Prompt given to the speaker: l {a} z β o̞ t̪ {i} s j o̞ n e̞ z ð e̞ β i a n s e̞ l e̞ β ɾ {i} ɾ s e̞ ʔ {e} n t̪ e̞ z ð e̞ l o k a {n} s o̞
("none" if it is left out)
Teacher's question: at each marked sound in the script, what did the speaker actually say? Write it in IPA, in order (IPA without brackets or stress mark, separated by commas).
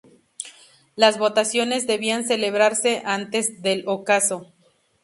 a, a, a, a, none